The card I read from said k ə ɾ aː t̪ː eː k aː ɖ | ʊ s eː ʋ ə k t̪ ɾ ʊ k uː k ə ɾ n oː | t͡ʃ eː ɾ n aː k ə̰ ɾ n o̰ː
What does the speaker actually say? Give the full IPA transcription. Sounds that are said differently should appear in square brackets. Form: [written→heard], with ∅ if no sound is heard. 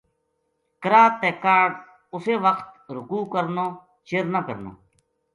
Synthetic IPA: k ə ɾ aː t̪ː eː k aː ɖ | ʊ s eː ʋ ə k t̪ ɾ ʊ k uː k ə ɾ n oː | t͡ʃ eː ɾ n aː k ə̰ ɾ n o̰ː